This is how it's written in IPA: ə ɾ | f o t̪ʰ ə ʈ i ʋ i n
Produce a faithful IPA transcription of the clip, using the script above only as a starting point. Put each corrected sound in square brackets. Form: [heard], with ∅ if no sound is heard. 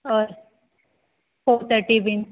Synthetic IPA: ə ɾ | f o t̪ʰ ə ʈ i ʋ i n